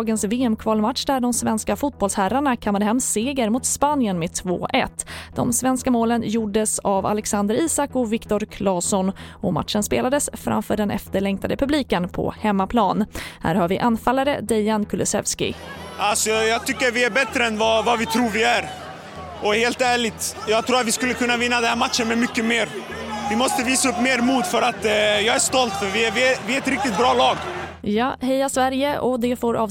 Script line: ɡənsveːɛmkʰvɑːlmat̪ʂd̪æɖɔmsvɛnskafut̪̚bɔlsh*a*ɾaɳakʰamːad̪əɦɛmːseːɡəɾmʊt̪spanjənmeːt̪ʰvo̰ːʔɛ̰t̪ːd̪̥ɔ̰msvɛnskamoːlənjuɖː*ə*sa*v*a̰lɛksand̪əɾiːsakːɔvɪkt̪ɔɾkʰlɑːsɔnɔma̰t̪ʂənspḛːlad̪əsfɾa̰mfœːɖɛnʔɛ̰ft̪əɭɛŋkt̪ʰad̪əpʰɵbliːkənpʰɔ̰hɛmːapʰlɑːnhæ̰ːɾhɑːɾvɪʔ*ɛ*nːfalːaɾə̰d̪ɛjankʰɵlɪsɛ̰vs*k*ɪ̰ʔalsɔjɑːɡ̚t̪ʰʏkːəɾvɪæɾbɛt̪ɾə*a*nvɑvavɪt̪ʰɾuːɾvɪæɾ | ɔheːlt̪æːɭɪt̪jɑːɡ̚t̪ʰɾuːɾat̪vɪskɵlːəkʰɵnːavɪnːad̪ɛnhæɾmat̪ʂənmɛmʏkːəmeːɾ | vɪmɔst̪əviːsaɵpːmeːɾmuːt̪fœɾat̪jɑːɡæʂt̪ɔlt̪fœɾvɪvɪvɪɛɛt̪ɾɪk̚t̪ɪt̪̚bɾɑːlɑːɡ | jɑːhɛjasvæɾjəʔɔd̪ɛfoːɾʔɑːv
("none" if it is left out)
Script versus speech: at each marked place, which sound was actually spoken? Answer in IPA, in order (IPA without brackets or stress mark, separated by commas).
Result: æ, ə, v, a, k, ɛ